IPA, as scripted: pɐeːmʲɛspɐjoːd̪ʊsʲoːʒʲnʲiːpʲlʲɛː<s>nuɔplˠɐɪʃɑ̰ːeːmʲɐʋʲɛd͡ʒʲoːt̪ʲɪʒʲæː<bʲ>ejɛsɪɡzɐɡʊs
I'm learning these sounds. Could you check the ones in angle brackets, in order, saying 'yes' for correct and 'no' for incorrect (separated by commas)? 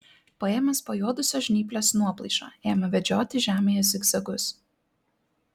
yes, no